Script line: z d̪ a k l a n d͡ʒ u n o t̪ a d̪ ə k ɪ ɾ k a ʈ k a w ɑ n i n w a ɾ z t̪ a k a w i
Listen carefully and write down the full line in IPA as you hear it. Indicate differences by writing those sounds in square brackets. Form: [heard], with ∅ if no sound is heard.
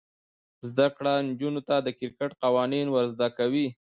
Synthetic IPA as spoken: z d̪ a k [ɽ] a n d͡ʒ u n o t̪ a d̪ ə k ɪ ɾ k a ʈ [q] a w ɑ n i n w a ɾ z [d̪] a k a w i